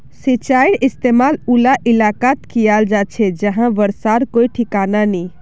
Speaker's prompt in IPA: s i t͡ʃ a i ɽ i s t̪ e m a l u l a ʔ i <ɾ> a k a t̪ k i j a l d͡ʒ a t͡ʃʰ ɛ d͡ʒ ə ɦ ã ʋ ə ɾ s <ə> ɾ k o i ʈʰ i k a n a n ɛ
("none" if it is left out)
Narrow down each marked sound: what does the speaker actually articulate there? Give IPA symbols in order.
l, a

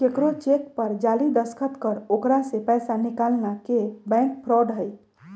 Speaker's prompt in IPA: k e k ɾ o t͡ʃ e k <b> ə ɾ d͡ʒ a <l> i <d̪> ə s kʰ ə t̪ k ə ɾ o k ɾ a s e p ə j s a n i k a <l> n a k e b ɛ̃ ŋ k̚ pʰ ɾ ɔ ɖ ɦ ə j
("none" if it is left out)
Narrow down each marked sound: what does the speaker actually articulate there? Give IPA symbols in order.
p, l, d̪, l

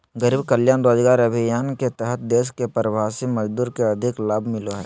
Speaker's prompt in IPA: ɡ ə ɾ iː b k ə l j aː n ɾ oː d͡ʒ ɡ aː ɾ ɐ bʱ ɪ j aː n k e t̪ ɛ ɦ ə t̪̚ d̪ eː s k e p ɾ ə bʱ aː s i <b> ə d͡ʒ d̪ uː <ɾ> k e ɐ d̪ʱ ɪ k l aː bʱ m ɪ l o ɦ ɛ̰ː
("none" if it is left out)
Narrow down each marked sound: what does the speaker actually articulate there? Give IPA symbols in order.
m, ɾ

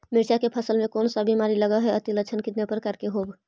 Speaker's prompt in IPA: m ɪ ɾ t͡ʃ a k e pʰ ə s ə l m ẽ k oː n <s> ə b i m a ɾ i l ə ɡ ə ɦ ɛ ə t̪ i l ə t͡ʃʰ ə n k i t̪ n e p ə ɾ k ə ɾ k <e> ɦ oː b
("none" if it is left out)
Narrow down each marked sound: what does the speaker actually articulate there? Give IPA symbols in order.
s, e

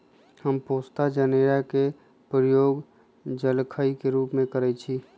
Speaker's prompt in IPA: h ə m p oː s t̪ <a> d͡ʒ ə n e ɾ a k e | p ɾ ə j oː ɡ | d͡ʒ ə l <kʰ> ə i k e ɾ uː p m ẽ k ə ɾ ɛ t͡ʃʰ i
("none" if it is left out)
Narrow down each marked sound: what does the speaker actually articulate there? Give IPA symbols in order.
a, kʰ

